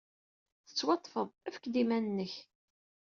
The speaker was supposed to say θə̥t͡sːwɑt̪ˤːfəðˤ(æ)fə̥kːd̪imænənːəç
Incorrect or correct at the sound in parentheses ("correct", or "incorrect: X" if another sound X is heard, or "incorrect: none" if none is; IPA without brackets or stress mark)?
correct